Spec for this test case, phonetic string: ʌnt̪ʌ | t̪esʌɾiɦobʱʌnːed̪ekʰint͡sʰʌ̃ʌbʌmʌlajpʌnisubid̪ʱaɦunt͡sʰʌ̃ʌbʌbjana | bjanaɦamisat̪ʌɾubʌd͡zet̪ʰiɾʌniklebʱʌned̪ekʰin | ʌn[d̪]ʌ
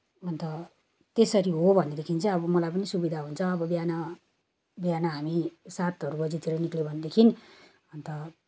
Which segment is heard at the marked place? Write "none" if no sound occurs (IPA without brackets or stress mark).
t̪